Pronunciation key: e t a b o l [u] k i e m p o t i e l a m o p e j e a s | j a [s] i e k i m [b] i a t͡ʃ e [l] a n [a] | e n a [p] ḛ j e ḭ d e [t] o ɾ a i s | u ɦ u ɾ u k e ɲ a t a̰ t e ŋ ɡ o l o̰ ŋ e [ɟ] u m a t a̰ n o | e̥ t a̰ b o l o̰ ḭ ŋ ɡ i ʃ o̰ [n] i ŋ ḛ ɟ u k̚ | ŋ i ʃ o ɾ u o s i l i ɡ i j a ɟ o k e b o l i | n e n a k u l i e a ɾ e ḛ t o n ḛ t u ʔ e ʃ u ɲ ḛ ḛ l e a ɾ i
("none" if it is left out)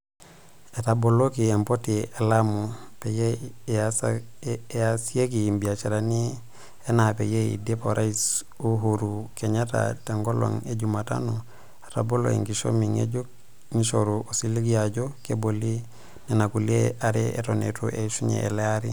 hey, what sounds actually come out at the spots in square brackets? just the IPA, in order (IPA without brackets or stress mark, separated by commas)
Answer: o, s, b, ɾ, i, p, p, ɟ, m